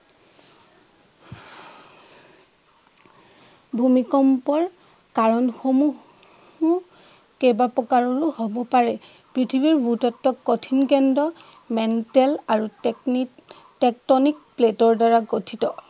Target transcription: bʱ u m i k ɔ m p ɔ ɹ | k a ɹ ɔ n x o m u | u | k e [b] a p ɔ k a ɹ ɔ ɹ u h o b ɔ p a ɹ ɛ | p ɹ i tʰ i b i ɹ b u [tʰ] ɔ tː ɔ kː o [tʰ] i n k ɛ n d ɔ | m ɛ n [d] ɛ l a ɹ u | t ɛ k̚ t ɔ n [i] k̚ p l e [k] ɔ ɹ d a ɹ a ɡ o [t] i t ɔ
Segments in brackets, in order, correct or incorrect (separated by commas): correct, incorrect, correct, incorrect, correct, incorrect, incorrect